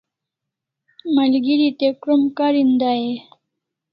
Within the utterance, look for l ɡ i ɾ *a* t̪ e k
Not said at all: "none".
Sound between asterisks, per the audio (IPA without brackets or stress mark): i